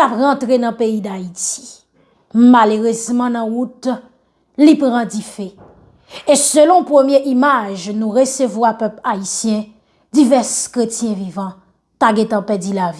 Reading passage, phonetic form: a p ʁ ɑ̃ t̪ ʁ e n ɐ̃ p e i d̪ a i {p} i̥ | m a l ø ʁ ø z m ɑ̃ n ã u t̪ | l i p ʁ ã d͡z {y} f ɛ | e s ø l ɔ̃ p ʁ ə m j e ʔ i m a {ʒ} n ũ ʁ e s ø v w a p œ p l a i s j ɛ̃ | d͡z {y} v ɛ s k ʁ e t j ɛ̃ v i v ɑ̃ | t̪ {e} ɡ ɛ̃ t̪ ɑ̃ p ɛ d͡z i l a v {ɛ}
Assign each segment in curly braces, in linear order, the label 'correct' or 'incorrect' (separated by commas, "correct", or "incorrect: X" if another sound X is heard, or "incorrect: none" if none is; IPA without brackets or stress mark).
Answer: incorrect: t, incorrect: i, correct, incorrect: i, incorrect: a, incorrect: i